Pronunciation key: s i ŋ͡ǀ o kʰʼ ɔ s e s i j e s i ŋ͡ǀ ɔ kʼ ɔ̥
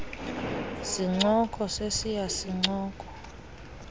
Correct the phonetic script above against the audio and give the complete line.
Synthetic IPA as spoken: s i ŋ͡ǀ ɔ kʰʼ ɔ s e s i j a s i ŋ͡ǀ ɔː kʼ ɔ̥